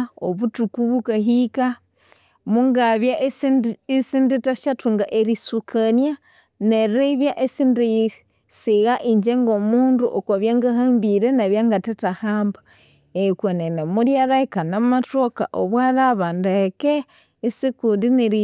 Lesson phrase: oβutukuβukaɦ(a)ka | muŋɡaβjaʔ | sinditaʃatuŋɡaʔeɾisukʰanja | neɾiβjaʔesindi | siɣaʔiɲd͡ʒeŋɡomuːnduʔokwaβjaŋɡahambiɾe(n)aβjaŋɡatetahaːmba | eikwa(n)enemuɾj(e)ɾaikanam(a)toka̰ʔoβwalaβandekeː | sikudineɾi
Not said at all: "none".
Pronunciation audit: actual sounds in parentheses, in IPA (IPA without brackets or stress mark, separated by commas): i, n, n, a, a